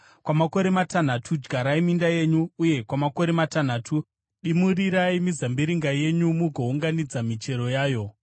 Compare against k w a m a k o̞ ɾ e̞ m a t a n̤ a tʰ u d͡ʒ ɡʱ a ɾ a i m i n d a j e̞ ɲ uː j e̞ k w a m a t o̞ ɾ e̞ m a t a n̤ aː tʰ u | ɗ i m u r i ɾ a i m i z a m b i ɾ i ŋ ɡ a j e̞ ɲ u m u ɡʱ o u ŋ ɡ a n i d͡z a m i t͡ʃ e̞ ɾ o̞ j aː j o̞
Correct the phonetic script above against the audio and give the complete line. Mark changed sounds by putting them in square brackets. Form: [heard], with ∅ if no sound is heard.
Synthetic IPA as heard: k w a m a k o̞ ɾ e̞ m a t a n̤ a tʰ u d͡ʒ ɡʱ a ɾ a i m i n d a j e̞ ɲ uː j e̞ k w a m a [k] o̞ ɾ e̞ m a t a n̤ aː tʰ u | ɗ i m u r i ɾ a i m i z a m b i ɾ i ŋ ɡ a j e̞ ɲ u m u ɡʱ o u ŋ ɡ a n i d͡z a m i t͡ʃ e̞ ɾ o̞ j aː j o̞